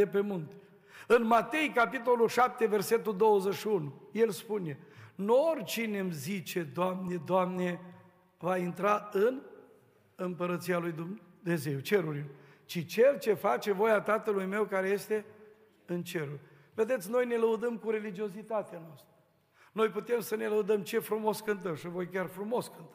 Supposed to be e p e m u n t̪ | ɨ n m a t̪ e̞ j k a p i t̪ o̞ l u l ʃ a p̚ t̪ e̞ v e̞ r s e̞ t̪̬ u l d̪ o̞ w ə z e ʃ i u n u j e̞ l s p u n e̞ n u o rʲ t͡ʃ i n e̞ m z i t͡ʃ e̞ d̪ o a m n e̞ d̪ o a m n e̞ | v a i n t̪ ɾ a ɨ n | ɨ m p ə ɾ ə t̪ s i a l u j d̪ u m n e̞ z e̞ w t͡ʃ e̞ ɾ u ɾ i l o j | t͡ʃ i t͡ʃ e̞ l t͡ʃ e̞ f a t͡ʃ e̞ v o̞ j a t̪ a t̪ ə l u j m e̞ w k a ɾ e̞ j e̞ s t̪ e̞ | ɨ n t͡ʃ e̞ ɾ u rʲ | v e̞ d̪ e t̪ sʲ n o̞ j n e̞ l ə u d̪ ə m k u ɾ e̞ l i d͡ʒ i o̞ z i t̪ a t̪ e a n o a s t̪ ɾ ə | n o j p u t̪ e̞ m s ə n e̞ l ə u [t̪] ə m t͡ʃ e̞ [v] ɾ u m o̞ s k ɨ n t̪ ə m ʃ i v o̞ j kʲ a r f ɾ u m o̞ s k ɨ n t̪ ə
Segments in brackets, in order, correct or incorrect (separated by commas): incorrect, incorrect